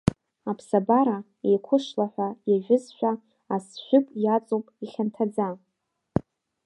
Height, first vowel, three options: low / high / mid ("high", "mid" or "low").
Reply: low